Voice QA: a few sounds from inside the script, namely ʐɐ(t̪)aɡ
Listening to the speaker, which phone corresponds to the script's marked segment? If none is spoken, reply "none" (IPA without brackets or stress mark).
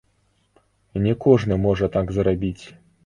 t̪